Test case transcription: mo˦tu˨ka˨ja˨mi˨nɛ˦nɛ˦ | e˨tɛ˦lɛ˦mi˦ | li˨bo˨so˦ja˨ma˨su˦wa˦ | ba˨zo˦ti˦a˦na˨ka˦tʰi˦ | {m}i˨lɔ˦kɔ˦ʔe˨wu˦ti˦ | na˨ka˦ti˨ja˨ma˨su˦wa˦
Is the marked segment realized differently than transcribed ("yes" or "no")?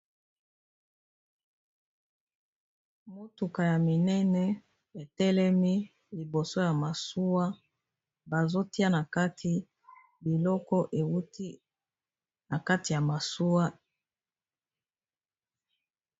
yes